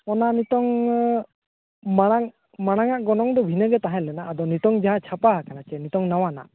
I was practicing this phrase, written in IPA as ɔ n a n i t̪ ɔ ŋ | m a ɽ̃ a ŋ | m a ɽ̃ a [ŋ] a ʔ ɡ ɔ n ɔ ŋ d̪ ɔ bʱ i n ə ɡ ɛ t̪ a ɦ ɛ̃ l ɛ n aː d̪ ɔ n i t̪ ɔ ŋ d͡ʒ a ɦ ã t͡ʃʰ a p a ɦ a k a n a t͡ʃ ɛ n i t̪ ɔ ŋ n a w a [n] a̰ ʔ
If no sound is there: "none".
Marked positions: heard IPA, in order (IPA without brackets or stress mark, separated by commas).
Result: ŋ, n